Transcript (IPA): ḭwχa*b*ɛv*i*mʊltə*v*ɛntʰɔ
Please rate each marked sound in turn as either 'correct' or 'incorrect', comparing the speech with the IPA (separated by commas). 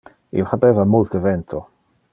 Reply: correct, incorrect, correct